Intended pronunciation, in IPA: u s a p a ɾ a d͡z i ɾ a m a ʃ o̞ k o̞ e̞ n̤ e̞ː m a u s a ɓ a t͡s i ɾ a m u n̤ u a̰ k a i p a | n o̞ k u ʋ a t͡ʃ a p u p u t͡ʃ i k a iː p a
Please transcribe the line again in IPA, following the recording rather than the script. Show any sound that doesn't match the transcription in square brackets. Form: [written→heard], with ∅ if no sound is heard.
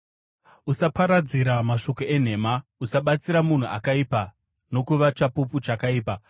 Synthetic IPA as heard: u s a p a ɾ a d͡z i ɾ a m a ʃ o̞ k o̞ e̞ n̤ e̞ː m a u s a ɓ a t͡s i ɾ a m u n̤ u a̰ k a i p a | n o̞ k u ʋ a t͡ʃ a p u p u t͡ʃ [i→a] k a iː p a

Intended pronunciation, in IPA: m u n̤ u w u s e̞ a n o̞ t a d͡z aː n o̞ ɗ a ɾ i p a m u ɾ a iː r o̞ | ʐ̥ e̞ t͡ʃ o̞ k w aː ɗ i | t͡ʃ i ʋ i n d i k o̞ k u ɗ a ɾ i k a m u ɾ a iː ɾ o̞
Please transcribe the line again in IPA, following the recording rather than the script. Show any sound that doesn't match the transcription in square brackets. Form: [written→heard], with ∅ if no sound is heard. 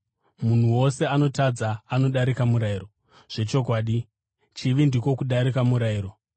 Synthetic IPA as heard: m u n̤ u w [u→o] s e̞ a n o̞ t a d͡z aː n o̞ ɗ a ɾ i [p→k] a m u ɾ a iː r o̞ | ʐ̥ e̞ t͡ʃ o̞ k w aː ɗ i | t͡ʃ i ʋ i n d i k o̞ k u ɗ a ɾ i k a m u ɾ a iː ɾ o̞

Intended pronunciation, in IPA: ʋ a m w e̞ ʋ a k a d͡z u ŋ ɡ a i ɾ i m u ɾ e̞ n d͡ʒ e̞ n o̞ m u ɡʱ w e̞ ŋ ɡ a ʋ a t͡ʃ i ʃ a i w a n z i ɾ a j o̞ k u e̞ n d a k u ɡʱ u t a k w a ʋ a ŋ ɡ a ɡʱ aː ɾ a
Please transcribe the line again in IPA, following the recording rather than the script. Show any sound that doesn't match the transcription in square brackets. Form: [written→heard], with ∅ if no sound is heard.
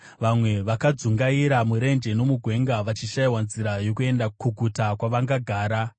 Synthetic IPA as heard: ʋ a m w e̞ ʋ a k a d͡z u ŋ ɡ a i ɾ [i→a] m u ɾ e̞ n d͡ʒ e̞ n o̞ m u ɡʱ w e̞ ŋ ɡ a ʋ a t͡ʃ i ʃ a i w a n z i ɾ a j o̞ k u e̞ n d a k u ɡʱ u t a k w a ʋ a ŋ ɡ a ɡʱ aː ɾ a

